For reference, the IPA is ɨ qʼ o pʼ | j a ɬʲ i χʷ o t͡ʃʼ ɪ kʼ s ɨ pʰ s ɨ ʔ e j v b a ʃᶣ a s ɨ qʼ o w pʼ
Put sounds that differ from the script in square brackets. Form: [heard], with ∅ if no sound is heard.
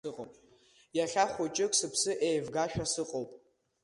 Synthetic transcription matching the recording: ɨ qʼ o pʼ | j a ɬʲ [a] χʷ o t͡ʃʼ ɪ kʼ s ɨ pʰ s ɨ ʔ e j v [ɡ] a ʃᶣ a s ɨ qʼ o w pʼ